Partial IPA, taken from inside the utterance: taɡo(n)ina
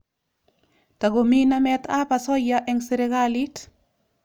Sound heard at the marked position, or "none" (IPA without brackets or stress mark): m